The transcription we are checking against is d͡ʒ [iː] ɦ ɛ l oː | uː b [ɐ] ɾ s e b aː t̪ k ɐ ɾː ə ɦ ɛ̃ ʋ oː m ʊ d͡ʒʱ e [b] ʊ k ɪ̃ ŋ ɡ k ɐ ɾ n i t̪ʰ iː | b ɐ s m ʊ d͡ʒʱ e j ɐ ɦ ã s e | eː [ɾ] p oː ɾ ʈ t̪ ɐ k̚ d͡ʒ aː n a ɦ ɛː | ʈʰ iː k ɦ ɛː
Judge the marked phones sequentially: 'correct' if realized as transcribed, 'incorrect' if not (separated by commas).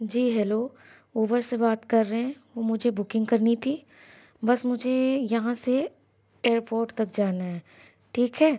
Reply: correct, incorrect, correct, correct